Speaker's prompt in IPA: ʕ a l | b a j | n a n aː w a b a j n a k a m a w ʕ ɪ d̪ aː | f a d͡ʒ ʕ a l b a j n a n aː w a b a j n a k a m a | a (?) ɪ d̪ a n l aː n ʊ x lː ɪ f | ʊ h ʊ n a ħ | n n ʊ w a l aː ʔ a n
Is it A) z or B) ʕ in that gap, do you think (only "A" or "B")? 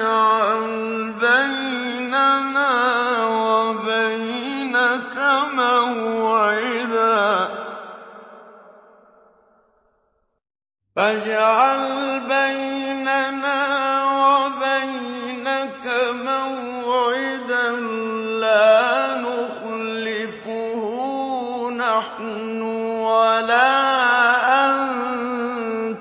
B